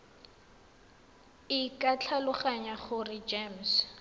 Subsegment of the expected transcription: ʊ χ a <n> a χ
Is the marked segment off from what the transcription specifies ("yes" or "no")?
yes